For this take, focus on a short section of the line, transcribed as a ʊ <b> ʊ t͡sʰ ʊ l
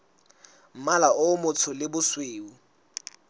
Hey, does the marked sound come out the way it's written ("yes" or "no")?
no